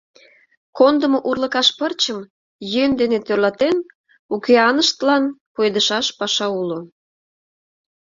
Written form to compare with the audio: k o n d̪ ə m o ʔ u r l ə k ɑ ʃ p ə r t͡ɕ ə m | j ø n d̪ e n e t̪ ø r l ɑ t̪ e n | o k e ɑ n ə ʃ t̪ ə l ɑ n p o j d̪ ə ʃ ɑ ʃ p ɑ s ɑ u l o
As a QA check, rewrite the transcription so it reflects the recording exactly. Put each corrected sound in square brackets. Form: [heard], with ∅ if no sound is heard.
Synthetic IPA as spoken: k o n d̪ ə m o ʔ u r l ə k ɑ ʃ p ə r t͡ɕ ə m | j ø n d̪ e n e t̪ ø r l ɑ t̪ e n | [u] k e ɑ n ə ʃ t̪ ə l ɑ n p o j d̪ ə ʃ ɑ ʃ p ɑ [ʃ] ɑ u l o